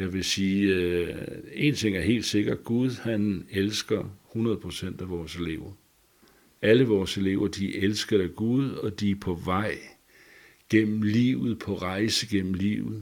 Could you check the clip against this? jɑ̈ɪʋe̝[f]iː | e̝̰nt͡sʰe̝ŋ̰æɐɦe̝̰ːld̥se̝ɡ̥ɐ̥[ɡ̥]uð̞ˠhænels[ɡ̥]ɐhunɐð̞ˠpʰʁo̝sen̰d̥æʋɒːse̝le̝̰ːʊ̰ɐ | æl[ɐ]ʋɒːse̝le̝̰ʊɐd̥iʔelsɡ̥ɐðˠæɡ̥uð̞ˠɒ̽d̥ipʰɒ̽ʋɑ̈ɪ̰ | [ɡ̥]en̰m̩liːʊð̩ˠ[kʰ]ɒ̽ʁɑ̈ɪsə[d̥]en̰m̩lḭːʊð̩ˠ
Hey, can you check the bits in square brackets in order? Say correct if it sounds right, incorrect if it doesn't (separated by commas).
incorrect, correct, correct, incorrect, correct, incorrect, incorrect